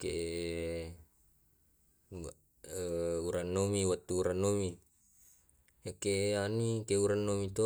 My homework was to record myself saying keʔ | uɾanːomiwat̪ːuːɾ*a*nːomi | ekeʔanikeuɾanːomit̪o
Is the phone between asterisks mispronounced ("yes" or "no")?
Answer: no